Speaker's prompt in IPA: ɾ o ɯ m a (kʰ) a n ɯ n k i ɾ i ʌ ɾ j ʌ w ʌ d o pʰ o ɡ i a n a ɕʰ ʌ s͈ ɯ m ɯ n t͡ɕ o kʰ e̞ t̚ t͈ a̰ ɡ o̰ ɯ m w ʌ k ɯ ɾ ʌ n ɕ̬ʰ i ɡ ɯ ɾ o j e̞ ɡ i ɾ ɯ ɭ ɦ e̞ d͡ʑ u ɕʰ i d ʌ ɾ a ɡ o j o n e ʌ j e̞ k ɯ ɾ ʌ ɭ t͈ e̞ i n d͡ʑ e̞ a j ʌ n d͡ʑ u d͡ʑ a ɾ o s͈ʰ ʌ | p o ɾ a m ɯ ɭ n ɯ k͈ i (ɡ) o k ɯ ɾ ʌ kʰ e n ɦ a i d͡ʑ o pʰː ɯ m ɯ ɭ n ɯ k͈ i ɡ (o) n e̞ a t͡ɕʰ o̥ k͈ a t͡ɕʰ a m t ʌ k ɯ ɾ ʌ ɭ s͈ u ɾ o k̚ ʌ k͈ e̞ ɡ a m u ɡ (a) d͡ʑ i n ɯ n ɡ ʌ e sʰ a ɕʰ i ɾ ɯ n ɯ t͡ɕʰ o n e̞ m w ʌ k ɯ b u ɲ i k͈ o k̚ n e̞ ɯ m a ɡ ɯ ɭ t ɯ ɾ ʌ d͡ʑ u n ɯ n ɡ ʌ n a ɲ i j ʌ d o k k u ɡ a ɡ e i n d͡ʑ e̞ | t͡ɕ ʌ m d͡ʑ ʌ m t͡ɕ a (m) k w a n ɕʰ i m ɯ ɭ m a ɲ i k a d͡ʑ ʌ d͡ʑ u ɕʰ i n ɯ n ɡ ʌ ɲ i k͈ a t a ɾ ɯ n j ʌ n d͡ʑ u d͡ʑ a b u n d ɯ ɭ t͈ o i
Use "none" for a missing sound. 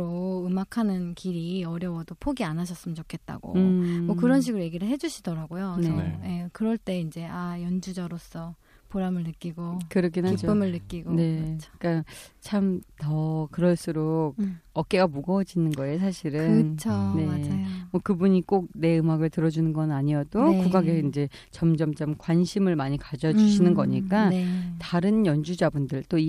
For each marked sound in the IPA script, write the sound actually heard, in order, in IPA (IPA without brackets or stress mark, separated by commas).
kʰ, ɡ, o, ʌ, m